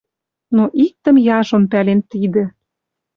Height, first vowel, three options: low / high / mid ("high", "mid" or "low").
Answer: mid